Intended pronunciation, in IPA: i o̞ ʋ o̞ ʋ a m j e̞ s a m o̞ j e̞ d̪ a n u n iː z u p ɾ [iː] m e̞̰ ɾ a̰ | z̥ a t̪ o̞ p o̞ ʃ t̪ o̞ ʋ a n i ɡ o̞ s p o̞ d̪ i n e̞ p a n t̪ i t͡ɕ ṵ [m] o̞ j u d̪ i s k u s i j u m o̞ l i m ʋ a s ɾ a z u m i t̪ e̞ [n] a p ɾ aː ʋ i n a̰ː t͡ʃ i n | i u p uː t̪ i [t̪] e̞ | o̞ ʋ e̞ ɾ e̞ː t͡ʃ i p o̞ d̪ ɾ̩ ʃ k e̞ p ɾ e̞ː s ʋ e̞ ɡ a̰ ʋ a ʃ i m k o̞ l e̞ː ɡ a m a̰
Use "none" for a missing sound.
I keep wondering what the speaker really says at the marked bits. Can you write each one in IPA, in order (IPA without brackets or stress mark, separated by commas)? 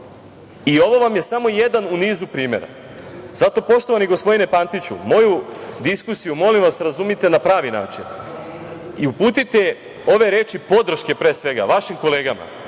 iː, m, n, t̪